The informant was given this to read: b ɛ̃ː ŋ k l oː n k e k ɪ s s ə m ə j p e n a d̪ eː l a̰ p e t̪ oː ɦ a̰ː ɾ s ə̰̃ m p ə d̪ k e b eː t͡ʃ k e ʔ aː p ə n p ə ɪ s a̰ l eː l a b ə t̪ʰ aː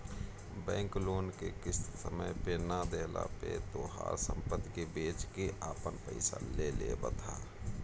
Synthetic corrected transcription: b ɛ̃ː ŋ k l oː n k e k ɪ s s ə m ə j p e n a d̪ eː l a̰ p e t̪ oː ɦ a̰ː ɾ s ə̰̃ m p ə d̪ k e b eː t͡ʃ k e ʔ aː p ə n p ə ɪ s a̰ l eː l e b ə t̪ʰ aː

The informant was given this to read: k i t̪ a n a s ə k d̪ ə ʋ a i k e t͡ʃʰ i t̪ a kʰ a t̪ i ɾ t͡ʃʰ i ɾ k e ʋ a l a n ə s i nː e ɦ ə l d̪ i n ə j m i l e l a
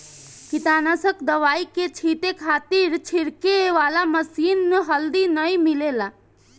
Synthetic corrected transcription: k i t̪ a n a s ə k d̪ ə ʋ a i k e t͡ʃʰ i t̪ e kʰ a t̪ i ɾ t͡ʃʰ i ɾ k e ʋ a l a m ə s i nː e ɦ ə l d̪ i n ə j m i l e l a

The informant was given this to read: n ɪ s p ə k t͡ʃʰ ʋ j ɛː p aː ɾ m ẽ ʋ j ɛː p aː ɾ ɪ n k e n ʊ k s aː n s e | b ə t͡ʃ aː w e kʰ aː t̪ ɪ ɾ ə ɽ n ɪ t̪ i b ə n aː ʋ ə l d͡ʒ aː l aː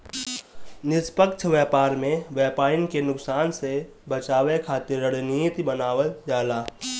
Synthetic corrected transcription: n ɪ s p ə k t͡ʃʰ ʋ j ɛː p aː ɾ m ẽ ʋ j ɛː p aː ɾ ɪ n k e n ʊ k s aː n s e | b ə t͡ʃ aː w e kʰ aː t̪ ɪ ɾ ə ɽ n i t̪ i b ə n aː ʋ ə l d͡ʒ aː l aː

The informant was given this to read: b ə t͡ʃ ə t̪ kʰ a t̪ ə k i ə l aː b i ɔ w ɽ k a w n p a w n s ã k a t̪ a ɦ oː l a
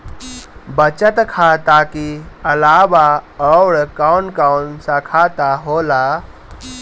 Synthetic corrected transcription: b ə t͡ʃ ə t̪ kʰ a t̪ a k i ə l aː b a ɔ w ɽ k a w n k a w n s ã kʰ a t̪ a ɦ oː l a

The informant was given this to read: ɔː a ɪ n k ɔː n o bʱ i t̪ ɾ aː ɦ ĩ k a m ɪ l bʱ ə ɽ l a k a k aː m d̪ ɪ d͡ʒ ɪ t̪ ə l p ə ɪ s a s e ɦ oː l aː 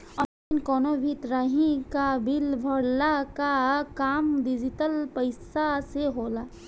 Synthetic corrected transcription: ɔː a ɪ n k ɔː n o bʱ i t̪ ɾ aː ɦ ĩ k a b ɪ l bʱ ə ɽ l a k a k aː m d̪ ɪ d͡ʒ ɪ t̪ ə l p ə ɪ s a s e ɦ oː l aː

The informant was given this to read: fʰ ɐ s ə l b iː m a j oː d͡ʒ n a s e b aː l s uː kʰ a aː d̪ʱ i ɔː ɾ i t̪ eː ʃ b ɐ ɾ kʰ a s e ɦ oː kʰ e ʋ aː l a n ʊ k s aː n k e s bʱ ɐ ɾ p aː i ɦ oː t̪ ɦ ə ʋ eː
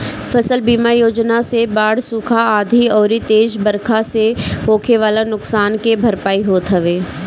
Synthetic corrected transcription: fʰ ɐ s ə l b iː m a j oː d͡ʒ n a s e b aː ɽ s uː kʰ a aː d̪ʱ i ɔː ɾ i t̪ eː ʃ b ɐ ɾ kʰ a s e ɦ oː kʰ e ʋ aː l a n ʊ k s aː n k e bʱ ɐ ɾ p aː i ɦ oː t̪ ɦ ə ʋ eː

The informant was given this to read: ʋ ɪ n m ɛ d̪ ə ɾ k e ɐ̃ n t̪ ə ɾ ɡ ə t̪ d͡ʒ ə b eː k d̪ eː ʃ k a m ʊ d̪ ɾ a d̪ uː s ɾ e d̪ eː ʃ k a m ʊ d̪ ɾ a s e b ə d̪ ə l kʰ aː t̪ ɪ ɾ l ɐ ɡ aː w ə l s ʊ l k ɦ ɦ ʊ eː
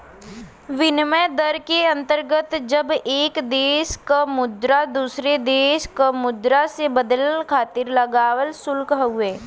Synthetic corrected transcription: ʋ ɪ n m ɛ d̪ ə ɾ k e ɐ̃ n t̪ ə ɾ ɡ ə t̪ d͡ʒ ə b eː k d̪ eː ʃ k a m ʊ d̪ ɾ a d̪ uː s ɾ e d̪ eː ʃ k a m ʊ d̪ ɾ a s e b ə d̪ ə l kʰ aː t̪ ɪ ɾ l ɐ ɡ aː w ə l s ʊ l k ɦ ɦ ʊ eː

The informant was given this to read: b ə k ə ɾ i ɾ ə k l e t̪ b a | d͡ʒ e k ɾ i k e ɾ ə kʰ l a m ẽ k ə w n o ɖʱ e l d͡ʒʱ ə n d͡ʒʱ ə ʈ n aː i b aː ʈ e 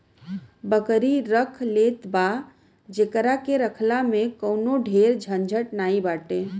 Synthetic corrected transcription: b ə k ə ɾ i ɾ ə kʰ l e t̪ b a | d͡ʒ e k ɾ a k e ɾ ə kʰ l a m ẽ k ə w n o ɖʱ e ɾ d͡ʒʱ ə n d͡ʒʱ ə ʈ n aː i b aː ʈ e

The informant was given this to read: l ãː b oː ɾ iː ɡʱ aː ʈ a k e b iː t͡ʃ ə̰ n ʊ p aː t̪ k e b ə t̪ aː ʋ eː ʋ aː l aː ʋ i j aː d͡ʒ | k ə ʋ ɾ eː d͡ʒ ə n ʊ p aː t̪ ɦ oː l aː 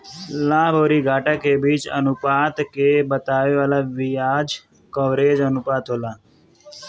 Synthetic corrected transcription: l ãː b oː ɾ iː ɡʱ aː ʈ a k e b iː t͡ʃ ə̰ n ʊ p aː t̪ k e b ə t̪ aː ʋ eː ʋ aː l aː ʋ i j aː d͡ʒ | k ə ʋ ɾ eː d͡ʒ ə n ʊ p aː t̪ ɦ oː l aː

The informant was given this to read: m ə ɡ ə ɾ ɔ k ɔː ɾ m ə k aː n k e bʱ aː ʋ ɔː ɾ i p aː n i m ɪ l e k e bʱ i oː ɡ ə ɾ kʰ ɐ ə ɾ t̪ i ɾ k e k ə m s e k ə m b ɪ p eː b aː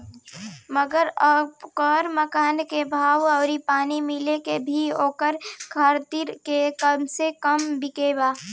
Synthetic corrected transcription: m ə ɡ ə ɾ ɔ k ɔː ɾ m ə k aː n k e bʱ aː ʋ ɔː ɾ i p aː n i m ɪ l e k e bʱ i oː k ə ɾ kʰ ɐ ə ɾ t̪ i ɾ k e k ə m s e k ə m b ɪ k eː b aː

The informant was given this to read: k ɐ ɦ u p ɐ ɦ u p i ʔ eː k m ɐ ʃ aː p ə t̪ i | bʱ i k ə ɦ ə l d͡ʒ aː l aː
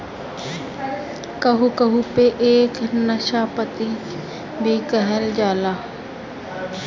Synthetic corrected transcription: k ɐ ɦ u k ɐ ɦ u p e ʔ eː k n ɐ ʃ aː p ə t̪ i | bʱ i k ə ɦ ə l d͡ʒ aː l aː

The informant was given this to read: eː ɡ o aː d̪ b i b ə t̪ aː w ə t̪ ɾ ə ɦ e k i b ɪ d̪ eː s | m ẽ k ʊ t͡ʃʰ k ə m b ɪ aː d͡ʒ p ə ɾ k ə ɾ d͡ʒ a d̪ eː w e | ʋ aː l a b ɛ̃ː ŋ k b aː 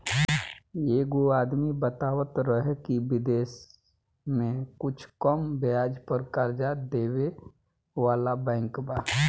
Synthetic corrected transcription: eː ɡ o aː d̪ m i b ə t̪ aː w ə t̪ ɾ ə ɦ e k i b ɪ d̪ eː s | m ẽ k ʊ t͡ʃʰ k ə m b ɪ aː d͡ʒ p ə ɾ k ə ɾ d͡ʒ a d̪ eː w e | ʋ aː l a b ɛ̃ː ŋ k b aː

